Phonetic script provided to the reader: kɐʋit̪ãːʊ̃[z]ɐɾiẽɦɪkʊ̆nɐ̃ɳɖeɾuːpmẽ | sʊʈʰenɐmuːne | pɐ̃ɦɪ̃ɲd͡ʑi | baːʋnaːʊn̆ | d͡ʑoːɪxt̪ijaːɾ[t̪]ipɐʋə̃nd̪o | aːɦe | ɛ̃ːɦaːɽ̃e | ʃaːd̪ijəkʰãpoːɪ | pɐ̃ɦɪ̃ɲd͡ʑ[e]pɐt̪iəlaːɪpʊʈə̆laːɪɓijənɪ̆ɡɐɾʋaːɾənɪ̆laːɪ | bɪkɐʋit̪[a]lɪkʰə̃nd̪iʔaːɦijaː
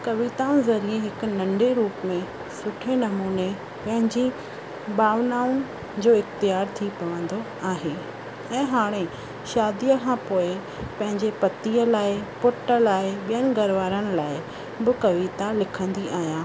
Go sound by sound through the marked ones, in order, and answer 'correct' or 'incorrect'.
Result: correct, incorrect: t̪ʰ, correct, correct

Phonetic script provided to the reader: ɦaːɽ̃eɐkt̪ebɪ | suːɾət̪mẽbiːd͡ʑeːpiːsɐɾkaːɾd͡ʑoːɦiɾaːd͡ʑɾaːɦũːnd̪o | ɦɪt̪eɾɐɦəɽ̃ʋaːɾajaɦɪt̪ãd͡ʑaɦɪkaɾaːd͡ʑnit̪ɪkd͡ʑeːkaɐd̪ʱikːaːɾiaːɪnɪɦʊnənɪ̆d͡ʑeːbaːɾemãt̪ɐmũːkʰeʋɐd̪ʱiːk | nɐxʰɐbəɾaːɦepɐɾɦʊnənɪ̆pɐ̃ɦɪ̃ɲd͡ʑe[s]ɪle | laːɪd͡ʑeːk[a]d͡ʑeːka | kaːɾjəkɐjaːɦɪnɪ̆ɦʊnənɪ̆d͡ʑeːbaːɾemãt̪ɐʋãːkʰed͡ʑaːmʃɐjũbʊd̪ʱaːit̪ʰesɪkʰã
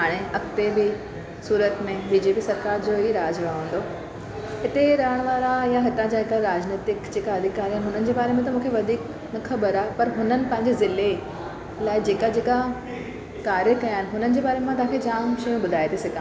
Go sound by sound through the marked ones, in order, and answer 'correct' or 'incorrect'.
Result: incorrect: z, correct

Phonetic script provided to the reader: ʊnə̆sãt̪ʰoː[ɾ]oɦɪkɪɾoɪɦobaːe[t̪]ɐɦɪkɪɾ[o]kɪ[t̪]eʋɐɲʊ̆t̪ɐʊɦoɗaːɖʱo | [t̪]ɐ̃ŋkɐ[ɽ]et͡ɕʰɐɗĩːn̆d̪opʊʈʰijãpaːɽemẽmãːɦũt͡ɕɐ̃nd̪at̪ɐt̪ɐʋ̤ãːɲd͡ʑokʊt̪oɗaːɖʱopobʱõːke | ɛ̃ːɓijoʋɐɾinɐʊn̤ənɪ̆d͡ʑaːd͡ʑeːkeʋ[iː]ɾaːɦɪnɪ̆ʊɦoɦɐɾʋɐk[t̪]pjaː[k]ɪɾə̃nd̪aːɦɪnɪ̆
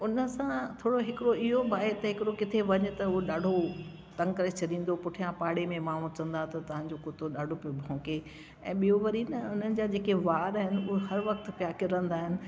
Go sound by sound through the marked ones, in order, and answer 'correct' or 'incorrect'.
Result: incorrect: ɽ, correct, correct, incorrect: t̪ʰ, correct, incorrect: ɾ, incorrect: aː, correct, correct

